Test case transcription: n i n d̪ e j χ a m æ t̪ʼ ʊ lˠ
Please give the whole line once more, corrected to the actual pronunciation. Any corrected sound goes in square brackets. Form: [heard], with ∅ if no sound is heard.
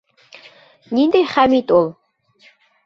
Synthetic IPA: n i n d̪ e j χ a m [i] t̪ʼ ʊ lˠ